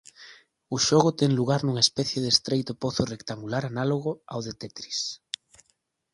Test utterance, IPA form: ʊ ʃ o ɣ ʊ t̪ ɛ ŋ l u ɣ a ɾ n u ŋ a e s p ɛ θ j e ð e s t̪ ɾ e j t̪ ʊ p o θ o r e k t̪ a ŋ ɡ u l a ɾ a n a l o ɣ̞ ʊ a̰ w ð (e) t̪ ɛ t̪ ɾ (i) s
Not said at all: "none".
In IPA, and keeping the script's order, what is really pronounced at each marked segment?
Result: e, i

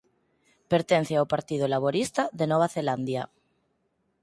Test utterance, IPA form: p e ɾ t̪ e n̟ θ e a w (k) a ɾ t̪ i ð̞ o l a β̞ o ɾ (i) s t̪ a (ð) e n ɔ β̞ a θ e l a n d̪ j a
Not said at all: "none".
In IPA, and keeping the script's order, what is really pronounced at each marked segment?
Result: p, i, ð

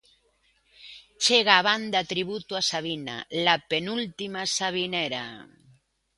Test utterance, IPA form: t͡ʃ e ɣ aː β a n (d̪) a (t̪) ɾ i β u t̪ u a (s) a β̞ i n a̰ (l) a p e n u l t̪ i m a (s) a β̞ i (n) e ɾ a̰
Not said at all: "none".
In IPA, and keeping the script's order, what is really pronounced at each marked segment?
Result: d̪, t̪, s, l, s, n

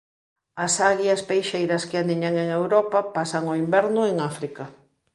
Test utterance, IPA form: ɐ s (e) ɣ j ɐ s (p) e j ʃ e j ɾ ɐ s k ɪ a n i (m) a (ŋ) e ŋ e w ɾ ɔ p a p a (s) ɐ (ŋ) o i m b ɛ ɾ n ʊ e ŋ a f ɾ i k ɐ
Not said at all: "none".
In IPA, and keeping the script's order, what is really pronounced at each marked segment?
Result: a, p, ɲ, ŋ, s, ŋ

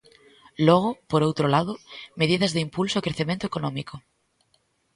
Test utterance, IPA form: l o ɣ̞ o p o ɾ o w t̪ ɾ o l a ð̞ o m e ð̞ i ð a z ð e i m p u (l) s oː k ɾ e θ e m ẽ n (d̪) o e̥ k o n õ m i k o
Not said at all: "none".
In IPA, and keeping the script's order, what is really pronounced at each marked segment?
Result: l, t̪

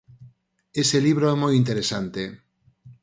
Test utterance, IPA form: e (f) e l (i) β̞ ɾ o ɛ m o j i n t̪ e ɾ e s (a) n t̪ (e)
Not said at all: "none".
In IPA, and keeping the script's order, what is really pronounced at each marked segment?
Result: s, i, a, e

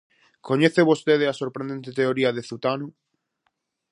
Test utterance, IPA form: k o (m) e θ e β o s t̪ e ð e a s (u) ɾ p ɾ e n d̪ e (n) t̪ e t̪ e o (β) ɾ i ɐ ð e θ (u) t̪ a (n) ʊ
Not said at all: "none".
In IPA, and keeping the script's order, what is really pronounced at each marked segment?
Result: ɲ, o, n, none, u, n

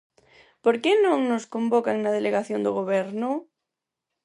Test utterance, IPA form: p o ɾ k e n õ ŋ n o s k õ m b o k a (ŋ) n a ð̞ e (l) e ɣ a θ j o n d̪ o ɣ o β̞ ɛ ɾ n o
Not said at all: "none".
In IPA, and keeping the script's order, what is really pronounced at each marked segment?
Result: ŋ, l

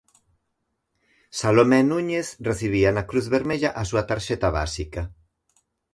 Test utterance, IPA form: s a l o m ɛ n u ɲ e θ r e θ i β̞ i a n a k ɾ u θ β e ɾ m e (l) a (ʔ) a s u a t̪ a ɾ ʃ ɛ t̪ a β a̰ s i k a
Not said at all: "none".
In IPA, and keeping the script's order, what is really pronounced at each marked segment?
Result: ʎ, ʔ

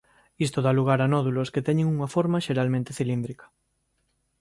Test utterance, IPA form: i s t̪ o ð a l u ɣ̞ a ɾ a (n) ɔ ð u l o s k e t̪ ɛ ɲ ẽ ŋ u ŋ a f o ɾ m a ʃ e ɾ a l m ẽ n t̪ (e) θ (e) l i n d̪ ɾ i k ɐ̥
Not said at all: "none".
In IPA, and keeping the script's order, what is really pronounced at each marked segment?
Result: n, e, i

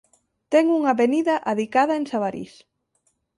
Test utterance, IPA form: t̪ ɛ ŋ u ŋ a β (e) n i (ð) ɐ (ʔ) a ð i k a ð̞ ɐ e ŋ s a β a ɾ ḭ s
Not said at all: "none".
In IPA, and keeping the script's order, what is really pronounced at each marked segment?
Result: e, ð, ʔ

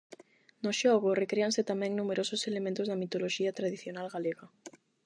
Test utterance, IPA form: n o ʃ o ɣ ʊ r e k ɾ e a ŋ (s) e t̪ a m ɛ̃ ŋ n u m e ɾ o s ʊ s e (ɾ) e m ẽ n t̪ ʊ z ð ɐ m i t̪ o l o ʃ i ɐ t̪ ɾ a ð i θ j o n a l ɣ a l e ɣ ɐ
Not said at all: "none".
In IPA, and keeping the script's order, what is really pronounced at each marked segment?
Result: s, l

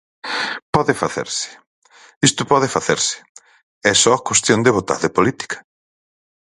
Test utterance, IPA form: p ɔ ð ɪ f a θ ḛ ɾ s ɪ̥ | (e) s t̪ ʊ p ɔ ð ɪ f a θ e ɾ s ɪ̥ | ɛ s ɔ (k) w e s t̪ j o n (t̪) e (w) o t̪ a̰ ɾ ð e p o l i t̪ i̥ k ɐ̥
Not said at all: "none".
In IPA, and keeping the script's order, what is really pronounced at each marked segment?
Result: i, k, d̪, β

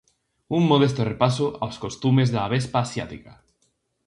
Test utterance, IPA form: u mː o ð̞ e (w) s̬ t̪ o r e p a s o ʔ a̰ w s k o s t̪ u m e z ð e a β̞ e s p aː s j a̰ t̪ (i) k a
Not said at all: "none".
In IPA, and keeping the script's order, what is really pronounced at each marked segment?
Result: none, i

